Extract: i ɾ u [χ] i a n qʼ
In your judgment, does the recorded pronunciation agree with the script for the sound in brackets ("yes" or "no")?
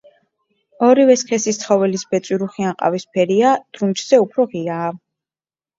yes